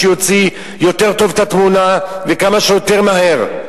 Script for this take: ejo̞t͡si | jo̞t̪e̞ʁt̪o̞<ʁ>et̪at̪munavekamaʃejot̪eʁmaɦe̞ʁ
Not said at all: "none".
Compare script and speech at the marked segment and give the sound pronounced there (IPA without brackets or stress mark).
v